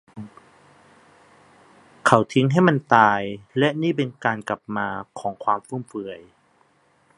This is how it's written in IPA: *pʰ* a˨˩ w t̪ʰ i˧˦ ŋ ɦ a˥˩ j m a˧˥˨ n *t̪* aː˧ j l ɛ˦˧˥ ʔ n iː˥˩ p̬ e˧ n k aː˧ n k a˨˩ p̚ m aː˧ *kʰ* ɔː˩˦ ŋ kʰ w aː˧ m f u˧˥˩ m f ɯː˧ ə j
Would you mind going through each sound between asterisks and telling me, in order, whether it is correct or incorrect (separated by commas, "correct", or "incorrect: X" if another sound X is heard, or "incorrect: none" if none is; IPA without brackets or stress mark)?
incorrect: kʰ, correct, correct